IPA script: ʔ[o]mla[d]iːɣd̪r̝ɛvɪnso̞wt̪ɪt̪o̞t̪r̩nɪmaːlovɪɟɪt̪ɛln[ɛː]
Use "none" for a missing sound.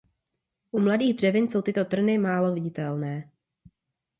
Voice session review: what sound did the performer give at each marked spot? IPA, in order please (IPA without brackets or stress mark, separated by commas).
u, d, ɛː